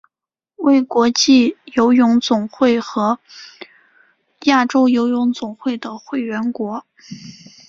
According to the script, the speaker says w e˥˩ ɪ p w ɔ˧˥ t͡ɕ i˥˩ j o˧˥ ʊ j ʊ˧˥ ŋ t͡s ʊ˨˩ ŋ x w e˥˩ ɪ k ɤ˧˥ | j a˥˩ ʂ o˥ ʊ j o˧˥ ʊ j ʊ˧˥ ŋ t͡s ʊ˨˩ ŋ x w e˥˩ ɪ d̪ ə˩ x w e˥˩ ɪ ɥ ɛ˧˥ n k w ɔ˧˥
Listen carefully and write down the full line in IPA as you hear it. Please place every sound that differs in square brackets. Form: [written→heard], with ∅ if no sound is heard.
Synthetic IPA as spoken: w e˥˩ ɪ [p→k] w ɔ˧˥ t͡ɕ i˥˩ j o˧˥ ʊ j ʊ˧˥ ŋ t͡s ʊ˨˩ ŋ x w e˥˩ ɪ [k→x] ɤ˧˥ | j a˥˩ [ʂ→ʈ͡ʂ] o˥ ʊ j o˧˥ ʊ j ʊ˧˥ ŋ t͡s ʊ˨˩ ŋ x w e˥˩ ɪ d̪ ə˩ x w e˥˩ ɪ ɥ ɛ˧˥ n k w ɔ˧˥